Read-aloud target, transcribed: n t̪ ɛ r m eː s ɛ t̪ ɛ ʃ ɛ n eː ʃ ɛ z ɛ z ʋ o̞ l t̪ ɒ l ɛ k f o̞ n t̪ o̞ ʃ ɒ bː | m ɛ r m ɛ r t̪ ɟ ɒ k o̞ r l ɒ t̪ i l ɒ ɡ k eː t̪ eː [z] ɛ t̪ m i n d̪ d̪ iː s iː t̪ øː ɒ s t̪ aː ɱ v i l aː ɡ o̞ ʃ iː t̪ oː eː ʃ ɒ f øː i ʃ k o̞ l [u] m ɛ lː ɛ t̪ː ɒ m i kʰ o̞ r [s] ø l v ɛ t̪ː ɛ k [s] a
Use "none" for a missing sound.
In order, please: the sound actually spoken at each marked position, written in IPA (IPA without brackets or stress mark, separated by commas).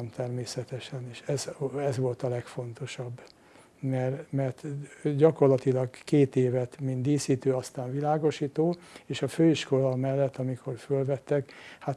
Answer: v, ɒ, f, h